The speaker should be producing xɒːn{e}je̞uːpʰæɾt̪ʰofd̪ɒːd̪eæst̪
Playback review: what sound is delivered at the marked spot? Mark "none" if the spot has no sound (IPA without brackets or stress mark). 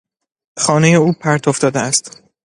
e